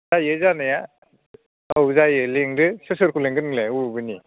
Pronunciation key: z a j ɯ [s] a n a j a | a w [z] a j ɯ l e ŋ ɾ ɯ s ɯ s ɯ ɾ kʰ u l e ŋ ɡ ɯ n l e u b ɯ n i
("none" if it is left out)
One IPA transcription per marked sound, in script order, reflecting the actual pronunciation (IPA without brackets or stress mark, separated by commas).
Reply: z, z